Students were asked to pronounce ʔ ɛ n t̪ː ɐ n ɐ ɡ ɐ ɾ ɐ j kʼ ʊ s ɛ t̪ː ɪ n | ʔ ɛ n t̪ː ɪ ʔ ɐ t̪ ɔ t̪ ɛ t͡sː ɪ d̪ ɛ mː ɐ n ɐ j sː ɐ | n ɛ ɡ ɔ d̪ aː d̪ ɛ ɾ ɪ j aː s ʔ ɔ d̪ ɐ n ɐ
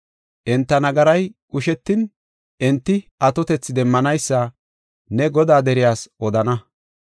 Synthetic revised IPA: ʔ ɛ n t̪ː ɐ n ɐ ɡ ɐ ɾ ɐ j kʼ ʊ ʃ ɛ t̪ː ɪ n | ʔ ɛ n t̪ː ɪ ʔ ɐ t̪ ɔ t̪ ɛ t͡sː ɪ d̪ ɛ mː ɐ n ɐ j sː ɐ | n ɛ ɡ ɔ d̪ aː d̪ ɛ ɾ ɪ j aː s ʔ ɔ d̪ ɐ n ɐ